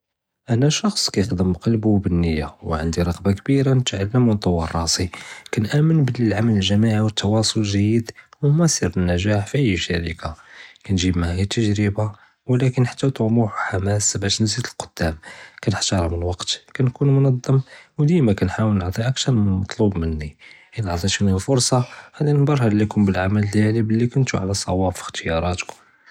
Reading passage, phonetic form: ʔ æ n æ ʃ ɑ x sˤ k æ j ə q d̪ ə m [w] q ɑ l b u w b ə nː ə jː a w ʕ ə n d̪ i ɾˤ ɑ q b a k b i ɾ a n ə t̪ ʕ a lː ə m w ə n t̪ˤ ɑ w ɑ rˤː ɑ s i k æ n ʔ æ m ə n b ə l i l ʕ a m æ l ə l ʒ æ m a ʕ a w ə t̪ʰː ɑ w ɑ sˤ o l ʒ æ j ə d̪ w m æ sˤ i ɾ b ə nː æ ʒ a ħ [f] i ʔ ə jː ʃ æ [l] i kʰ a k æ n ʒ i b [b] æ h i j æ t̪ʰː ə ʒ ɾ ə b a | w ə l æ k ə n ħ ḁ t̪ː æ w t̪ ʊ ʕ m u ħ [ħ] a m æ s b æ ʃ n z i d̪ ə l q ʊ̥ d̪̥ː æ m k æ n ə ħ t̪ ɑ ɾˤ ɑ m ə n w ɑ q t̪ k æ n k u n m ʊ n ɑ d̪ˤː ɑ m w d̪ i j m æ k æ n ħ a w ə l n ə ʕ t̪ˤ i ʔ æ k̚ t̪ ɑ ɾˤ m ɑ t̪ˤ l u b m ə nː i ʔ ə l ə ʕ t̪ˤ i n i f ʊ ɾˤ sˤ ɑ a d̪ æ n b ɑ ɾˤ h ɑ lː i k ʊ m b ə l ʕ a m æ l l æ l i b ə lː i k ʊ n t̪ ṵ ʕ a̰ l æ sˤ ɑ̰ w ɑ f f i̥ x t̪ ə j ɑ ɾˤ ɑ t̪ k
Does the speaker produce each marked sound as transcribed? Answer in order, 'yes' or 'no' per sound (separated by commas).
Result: no, yes, no, no, yes